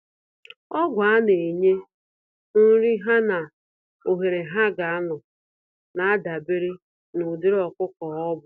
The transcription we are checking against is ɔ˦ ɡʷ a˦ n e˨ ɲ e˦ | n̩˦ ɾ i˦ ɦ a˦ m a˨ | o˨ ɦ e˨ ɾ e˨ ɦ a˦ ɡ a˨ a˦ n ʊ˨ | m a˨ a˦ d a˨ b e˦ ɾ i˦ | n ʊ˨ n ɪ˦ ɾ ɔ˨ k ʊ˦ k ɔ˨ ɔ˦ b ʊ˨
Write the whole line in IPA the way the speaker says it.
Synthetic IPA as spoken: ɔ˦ ɡʷ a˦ n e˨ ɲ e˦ | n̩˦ ɾ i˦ ɦ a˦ n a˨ | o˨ ɦ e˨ ɾ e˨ ɦ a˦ ɡ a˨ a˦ n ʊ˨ | n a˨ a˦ d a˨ b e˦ ɾ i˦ | n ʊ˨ d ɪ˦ ɾ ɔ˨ k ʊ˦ k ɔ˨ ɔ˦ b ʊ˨